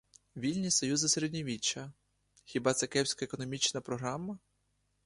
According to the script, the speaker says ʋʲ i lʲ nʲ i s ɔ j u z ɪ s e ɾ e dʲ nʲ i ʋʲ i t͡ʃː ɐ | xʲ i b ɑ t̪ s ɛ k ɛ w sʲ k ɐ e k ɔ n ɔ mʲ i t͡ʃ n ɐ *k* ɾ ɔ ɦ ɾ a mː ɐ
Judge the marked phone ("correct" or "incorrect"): incorrect